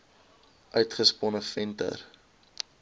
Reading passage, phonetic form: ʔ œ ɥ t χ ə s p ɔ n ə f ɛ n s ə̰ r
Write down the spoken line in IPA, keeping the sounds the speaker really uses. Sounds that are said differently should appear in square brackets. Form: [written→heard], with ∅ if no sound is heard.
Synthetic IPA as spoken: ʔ œ ɥ t χ ə s p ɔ n ə f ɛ n [s→t] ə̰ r